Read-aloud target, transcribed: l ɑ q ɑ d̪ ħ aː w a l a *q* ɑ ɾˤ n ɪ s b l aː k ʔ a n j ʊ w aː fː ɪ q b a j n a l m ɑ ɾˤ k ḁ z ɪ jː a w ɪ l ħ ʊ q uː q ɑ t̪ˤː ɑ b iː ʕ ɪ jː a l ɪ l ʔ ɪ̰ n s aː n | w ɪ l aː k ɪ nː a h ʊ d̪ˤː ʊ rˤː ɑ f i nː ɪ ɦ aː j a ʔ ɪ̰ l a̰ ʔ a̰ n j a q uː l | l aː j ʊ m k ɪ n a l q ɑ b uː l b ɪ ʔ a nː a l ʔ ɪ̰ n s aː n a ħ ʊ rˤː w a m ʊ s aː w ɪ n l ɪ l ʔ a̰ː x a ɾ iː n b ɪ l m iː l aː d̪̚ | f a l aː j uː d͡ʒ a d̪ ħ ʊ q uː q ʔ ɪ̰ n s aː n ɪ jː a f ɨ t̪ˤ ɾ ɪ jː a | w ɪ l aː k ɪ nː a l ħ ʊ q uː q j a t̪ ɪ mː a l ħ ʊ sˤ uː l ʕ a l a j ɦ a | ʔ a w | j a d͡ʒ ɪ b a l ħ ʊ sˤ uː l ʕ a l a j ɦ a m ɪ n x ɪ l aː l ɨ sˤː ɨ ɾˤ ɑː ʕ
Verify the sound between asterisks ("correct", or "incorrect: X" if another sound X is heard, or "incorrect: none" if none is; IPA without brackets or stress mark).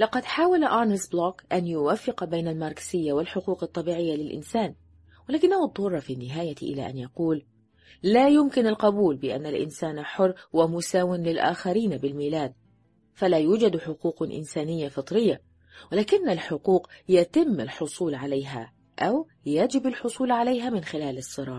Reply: incorrect: ʔ